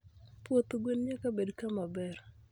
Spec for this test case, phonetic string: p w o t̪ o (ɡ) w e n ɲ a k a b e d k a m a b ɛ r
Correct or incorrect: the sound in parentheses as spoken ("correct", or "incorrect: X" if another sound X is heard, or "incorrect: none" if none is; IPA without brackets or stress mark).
correct